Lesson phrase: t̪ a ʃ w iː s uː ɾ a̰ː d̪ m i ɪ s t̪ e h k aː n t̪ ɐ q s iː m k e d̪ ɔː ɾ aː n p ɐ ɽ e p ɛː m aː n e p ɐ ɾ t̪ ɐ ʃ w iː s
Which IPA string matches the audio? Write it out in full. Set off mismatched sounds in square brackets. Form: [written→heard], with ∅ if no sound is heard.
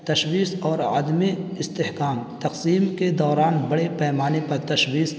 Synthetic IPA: t̪ [a→ɐ] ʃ w iː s [uː→ɔː] ɾ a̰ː d̪ m i ɪ s t̪ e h k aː [n→m] t̪ ɐ q s iː m k e d̪ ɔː ɾ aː n [p→b] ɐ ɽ e p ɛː m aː n e p ɐ ɾ t̪ ɐ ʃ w iː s